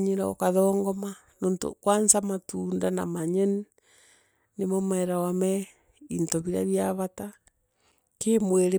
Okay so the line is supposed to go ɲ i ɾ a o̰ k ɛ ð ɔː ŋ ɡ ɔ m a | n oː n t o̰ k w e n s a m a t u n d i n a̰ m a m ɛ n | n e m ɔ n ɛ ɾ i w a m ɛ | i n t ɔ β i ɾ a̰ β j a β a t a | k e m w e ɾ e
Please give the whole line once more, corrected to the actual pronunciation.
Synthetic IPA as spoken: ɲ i ɾ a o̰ k a ð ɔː ŋ ɡ ɔ m a | n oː n t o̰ k w a n s a m a t u n d a n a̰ m a ɲ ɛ n | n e m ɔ m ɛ ɾ a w a m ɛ | i n t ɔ β i ɾ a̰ β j a β a t a | k e m w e ɾ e